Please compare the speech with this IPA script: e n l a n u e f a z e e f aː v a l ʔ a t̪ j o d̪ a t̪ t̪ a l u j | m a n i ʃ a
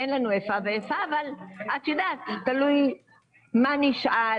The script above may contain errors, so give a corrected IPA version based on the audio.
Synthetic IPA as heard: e n l a n u e f a v e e f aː v a l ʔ a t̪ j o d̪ a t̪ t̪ a l u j | m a n i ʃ a